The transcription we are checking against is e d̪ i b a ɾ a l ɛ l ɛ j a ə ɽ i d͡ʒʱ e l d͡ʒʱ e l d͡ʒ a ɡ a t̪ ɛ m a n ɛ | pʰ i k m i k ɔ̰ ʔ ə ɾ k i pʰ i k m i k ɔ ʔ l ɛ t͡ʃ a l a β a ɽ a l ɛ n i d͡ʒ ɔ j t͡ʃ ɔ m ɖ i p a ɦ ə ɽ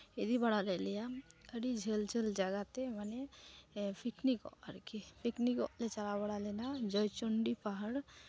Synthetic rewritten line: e d̪ i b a ɽ a l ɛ l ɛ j a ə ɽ i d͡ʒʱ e l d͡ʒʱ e l d͡ʒ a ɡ a t̪ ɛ m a n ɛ | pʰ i k n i k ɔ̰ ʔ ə ɾ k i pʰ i k n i k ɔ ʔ l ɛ t͡ʃ a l a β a ɽ a l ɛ n a d͡ʒ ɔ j t͡ʃ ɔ ɳ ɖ i p a ɦ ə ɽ